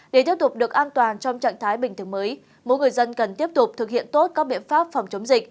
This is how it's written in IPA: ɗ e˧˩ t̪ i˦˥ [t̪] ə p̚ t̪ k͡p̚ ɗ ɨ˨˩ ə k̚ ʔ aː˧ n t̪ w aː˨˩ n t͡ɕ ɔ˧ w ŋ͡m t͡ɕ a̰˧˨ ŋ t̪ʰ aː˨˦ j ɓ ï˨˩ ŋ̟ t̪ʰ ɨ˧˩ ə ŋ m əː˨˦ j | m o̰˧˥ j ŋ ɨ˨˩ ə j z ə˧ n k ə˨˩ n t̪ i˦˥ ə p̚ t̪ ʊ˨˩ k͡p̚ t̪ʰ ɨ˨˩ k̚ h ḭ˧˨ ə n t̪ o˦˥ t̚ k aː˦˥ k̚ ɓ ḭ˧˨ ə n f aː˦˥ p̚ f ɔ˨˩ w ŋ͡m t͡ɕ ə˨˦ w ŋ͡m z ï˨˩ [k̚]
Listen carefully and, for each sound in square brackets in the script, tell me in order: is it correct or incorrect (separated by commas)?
incorrect, correct